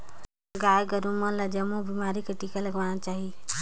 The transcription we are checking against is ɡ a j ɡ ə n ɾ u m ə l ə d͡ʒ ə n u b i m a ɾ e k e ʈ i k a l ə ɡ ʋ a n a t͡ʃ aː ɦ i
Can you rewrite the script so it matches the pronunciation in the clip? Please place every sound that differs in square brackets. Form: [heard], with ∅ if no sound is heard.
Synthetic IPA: ɡ a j ɡ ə [∅] ɾ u m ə l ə d͡ʒ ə [m] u b i m a ɾ [i] k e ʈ i k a l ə ɡ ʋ a n a t͡ʃ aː ɦ i

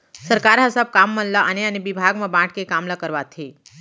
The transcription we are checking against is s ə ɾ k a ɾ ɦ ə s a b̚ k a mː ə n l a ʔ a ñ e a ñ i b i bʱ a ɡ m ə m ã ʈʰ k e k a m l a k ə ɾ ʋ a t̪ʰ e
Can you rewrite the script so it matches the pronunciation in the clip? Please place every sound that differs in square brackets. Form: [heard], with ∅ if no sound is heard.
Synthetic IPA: s ə ɾ k a ɾ ɦ ə s a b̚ k a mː ə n l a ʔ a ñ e a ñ i b i bʱ a ɡ m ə [b] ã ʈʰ k e k a m l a k ə ɾ ʋ a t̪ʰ e

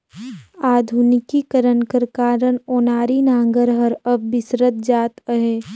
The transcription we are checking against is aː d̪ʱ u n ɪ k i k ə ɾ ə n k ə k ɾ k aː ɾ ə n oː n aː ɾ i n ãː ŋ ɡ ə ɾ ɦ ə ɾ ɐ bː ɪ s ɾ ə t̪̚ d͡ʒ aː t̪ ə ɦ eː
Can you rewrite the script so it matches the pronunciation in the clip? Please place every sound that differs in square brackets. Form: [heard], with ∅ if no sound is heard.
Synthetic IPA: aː d̪ʱ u n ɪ k i k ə ɾ ə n k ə [∅] ɾ k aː ɾ ə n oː n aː ɾ i n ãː ŋ ɡ ə ɾ ɦ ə ɾ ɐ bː ɪ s ɾ ə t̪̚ d͡ʒ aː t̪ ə ɦ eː

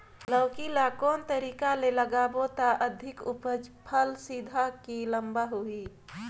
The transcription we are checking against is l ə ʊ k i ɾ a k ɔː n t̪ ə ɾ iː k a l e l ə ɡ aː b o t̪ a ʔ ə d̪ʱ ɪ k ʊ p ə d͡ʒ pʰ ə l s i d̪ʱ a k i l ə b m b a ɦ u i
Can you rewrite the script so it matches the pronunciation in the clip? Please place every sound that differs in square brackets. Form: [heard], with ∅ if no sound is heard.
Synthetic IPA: l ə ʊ k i [l] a k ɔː n t̪ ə ɾ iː k a l e l ə ɡ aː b o t̪ a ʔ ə d̪ʱ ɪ k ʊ p ə d͡ʒ pʰ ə l s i d̪ʱ a k i l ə [∅] m b a ɦ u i

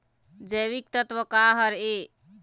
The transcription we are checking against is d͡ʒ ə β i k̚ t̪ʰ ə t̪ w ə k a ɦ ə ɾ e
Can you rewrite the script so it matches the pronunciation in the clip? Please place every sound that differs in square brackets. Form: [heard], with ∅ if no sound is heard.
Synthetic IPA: d͡ʒ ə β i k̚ [t̪] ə t̪ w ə k a ɦ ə ɾ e

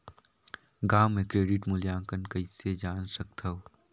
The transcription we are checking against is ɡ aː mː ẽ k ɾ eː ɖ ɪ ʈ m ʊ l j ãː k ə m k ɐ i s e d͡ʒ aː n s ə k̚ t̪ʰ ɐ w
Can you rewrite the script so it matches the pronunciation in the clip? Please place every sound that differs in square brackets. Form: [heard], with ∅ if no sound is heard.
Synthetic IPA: ɡ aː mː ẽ k ɾ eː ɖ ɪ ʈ m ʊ l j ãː k ə [n] k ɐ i s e d͡ʒ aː n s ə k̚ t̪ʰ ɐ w

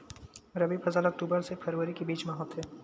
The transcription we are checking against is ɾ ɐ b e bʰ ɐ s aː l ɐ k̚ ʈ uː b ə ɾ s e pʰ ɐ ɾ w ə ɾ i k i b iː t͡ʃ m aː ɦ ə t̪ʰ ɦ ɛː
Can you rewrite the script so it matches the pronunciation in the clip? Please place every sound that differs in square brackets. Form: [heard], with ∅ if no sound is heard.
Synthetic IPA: ɾ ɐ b [i] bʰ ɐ [z] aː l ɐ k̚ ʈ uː b ə ɾ s e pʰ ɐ ɾ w ə ɾ i k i b iː t͡ʃ m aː ɦ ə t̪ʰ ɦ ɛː

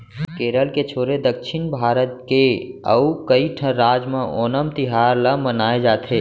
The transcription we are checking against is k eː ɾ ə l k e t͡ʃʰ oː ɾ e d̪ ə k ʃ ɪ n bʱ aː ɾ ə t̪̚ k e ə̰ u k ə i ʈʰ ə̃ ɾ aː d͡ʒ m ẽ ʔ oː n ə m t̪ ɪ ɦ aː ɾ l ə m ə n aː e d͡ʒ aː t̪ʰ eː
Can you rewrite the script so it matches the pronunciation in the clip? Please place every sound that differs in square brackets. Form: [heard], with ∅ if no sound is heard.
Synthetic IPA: k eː ɾ ə l k e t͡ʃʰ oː ɾ e d̪ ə k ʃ ɪ n bʱ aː ɾ ə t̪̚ k e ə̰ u k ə i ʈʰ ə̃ ɾ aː d͡ʒ m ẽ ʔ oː n ə m t̪ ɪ ɦ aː ɾ l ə m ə n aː e d͡ʒ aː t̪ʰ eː

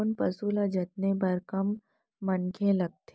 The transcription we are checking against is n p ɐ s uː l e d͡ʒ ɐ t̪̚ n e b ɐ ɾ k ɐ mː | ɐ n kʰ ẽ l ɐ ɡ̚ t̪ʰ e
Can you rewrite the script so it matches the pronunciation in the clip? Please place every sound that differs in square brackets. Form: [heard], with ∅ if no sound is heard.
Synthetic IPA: n p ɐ s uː l [a] d͡ʒ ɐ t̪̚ n e b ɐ ɾ k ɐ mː | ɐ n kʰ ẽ l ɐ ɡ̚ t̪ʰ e

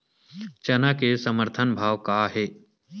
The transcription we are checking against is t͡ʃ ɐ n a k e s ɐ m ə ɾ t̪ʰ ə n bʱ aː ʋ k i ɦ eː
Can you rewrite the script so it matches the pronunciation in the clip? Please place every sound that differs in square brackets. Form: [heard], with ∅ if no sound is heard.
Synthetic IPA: t͡ʃ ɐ n a k e s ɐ m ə ɾ t̪ʰ ə n bʱ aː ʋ k [a] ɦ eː

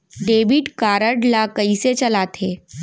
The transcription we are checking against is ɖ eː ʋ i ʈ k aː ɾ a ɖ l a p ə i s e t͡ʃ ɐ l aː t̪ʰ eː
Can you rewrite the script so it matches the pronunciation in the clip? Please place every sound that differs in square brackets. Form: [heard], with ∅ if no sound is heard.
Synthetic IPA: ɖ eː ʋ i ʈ k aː ɾ [ə] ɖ l a [k] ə i s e t͡ʃ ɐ l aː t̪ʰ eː

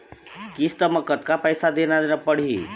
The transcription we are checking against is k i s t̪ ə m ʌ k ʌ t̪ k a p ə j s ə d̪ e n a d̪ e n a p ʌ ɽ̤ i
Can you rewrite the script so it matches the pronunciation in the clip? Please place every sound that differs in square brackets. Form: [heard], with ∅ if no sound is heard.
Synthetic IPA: k i s t̪ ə m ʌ k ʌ t̪ k a p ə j s [a] d̪ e n a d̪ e n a p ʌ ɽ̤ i

